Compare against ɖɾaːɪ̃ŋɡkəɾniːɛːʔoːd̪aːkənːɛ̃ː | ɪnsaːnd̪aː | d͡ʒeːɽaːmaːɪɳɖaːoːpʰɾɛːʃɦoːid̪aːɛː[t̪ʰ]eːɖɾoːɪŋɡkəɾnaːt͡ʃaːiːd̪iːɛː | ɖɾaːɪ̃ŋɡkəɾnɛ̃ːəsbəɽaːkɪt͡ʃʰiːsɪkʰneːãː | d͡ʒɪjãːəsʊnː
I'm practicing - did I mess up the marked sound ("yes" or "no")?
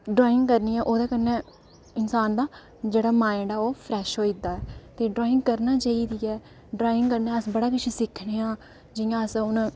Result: yes